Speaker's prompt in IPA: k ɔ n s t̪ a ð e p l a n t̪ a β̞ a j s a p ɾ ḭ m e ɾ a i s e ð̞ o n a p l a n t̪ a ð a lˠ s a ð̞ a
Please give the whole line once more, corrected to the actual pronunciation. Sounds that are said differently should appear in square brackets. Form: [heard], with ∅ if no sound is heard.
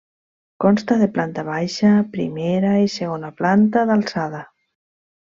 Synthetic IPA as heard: k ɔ n s t̪ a ð e p l a n t̪ a β̞ a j [ʃ] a p ɾ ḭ m e ɾ a i s e [ɣ̞] o n a p l a n t̪ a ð a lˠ s a ð̞ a